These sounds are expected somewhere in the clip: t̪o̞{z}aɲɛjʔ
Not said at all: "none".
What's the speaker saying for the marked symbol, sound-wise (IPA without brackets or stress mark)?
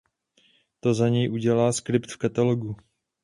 z